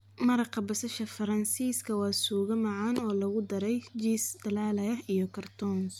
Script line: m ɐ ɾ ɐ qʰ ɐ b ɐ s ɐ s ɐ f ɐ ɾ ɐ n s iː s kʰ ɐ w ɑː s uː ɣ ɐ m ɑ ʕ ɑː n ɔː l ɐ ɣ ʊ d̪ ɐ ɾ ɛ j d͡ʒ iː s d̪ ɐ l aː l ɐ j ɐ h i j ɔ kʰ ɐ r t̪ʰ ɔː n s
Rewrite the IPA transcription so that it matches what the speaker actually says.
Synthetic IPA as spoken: m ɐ ɾ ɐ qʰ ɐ b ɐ s ɐ ʃ ɐ f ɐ ɾ ɐ n s iː s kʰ ɐ w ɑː s uː ɣ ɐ m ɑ ʕ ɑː n ɔː l ɐ ɣ ʊ d̪ ɐ ɾ ɛ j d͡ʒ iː s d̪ ɐ l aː l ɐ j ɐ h i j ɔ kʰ ɐ r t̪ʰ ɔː n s